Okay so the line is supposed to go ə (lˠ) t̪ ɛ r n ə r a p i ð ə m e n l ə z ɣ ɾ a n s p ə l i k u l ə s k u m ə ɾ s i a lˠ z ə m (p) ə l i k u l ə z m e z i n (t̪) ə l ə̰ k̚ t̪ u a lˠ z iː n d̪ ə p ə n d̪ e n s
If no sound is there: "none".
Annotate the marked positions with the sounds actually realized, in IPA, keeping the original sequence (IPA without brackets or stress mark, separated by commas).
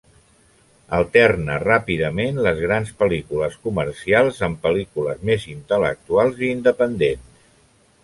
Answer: lˠ, p, t̪